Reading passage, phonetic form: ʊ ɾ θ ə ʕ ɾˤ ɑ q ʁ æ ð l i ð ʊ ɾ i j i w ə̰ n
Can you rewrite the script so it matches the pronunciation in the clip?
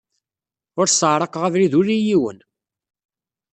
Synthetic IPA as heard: ʊ ɾ s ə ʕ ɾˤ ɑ q ʁ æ v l i ð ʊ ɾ i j i w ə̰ n